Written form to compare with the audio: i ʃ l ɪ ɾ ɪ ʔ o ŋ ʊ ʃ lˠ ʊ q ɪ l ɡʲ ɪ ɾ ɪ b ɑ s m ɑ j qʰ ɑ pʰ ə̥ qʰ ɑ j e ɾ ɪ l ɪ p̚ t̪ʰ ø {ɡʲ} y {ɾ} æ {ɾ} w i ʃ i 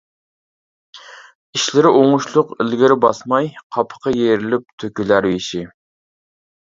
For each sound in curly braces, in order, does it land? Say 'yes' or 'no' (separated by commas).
no, no, yes